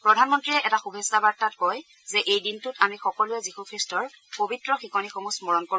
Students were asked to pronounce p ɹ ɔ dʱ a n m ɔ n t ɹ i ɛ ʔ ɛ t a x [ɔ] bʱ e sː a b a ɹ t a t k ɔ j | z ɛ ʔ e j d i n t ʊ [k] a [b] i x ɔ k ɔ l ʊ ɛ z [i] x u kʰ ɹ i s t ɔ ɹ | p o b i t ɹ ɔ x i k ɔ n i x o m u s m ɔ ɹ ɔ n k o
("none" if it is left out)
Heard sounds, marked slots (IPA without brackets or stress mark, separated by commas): u, t, m, i